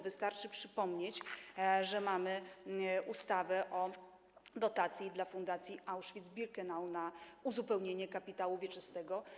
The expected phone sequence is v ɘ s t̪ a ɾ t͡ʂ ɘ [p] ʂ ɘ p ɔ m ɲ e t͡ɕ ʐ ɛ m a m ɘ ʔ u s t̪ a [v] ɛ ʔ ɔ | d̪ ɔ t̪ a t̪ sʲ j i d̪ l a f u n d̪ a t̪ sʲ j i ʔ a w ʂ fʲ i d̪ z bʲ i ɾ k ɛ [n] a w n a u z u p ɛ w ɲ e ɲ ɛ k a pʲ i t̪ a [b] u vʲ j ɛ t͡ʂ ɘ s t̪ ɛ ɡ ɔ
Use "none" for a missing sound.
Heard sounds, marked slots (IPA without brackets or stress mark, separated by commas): p, v, n, w